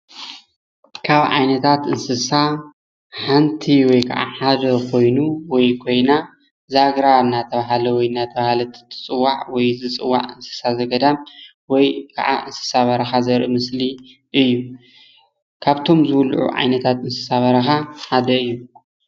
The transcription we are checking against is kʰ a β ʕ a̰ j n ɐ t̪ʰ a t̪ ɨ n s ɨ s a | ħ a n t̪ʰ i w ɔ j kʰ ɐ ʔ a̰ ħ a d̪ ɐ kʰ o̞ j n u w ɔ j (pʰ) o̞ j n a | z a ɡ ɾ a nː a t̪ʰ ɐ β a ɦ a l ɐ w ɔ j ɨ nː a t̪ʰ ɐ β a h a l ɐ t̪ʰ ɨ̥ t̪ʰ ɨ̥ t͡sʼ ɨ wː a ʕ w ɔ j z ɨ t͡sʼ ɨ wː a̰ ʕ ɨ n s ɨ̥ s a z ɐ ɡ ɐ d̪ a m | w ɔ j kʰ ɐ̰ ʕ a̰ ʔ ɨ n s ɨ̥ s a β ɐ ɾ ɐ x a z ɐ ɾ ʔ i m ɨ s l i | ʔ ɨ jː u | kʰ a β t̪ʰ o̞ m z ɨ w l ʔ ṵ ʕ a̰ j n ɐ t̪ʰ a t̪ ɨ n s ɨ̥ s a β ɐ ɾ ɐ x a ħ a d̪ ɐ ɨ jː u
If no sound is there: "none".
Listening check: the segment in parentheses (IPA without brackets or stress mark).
kʰ